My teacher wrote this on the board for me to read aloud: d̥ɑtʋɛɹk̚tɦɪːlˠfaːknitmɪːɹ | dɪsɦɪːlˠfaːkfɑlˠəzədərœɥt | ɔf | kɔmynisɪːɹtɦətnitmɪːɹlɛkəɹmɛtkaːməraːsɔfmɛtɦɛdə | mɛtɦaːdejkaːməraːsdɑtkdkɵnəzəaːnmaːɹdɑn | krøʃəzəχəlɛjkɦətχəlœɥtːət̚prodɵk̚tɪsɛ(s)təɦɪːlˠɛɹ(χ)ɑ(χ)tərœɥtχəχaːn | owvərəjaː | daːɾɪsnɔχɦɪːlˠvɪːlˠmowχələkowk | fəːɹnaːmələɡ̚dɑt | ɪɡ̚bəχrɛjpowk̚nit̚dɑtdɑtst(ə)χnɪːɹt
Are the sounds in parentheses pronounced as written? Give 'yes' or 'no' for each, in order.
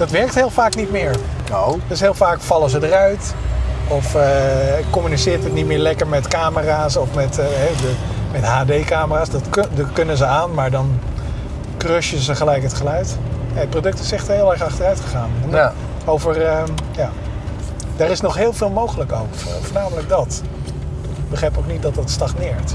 no, yes, yes, no

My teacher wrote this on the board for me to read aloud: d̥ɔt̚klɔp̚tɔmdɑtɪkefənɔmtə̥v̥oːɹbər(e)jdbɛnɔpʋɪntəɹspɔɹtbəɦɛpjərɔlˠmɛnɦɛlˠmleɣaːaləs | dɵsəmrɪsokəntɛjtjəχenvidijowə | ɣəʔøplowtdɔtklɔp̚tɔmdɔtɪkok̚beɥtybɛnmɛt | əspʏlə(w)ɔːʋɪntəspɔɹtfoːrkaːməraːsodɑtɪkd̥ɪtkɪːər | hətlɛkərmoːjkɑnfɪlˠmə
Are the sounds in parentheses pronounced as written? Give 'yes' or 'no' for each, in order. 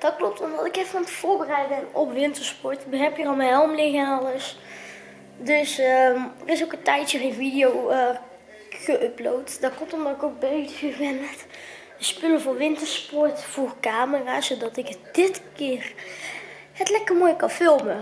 no, no

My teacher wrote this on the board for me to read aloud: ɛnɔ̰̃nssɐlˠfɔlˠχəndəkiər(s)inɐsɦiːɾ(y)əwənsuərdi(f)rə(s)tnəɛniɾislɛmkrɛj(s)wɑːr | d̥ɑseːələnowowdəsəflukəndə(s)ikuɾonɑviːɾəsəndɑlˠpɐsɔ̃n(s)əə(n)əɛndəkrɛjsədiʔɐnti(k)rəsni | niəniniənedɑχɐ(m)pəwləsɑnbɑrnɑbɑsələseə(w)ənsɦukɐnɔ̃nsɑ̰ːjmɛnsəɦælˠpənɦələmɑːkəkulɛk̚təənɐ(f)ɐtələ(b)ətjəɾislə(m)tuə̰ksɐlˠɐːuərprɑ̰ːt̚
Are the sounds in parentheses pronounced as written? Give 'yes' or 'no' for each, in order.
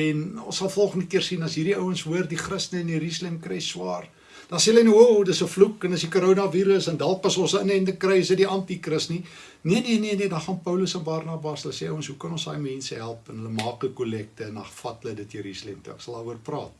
yes, no, no, yes, yes, yes, yes, yes, yes, no, yes, yes, no, yes

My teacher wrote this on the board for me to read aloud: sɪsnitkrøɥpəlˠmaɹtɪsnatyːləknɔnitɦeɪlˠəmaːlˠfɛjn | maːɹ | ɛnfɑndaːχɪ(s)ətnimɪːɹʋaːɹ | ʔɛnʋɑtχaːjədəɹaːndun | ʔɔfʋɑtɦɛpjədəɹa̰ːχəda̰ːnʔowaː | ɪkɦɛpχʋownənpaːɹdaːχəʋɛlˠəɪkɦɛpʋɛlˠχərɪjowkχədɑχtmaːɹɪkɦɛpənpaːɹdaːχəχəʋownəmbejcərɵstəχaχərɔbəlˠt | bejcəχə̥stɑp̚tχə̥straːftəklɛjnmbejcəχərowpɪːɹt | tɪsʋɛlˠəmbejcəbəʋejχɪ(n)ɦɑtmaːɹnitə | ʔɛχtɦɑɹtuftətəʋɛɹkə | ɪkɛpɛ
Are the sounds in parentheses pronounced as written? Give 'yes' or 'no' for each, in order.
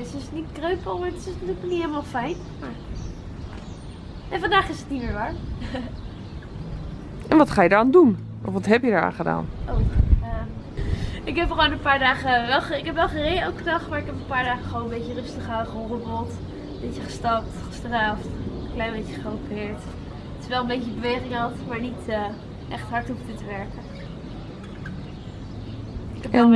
yes, no

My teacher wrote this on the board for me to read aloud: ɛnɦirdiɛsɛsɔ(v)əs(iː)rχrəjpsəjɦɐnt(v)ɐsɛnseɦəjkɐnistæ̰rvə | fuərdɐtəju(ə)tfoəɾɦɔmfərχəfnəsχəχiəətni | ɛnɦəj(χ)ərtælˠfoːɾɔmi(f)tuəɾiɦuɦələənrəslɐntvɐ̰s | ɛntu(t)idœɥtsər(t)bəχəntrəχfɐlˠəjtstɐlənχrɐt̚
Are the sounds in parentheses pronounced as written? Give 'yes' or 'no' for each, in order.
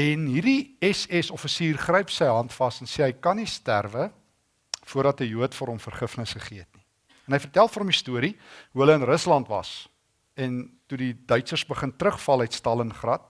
no, yes, no, yes, no, no, no, no

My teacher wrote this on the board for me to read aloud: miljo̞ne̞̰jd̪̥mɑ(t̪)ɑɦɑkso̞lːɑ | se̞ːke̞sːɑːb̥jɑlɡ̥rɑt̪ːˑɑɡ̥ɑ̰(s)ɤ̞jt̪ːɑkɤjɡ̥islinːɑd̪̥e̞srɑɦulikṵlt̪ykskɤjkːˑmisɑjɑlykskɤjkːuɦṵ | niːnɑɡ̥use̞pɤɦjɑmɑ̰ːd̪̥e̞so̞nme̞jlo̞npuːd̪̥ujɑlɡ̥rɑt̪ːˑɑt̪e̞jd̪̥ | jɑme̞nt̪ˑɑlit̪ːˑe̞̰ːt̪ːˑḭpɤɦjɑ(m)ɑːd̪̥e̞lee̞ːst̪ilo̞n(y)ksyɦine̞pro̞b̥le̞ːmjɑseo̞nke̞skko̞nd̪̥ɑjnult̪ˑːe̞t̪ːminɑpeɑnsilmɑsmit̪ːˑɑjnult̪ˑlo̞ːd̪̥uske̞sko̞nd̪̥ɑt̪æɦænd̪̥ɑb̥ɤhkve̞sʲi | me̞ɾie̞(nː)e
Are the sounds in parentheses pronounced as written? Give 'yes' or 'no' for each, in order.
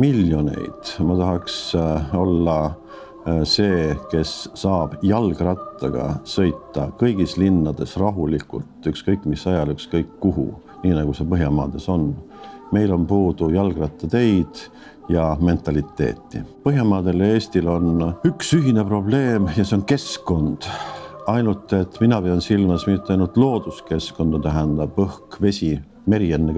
yes, yes, yes, yes, yes

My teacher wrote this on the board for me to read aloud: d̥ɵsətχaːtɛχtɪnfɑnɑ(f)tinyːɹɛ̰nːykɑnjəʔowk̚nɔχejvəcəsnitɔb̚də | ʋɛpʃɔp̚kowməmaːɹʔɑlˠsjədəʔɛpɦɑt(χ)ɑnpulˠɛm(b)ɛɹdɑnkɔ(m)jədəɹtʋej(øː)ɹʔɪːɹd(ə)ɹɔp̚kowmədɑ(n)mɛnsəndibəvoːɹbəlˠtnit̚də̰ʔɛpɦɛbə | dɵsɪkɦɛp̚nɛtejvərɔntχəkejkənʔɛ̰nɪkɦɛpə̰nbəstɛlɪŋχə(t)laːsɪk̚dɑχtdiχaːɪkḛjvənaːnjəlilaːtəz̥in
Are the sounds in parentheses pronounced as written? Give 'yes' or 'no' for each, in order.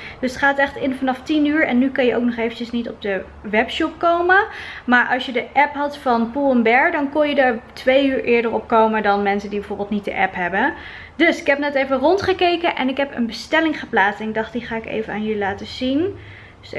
yes, no, yes, no, no, yes, yes, no

